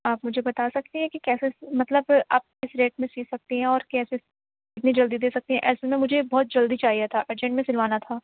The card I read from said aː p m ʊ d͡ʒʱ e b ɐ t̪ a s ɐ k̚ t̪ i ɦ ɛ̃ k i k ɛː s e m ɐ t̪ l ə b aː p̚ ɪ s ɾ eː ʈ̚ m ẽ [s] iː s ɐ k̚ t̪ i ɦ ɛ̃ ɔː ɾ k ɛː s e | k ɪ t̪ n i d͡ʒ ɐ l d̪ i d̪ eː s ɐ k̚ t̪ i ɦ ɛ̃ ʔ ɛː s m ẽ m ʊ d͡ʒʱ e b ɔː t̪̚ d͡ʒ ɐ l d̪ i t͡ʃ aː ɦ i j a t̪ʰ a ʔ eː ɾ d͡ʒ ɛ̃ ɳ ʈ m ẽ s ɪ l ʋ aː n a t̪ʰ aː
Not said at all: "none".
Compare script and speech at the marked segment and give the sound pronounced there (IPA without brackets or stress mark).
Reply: s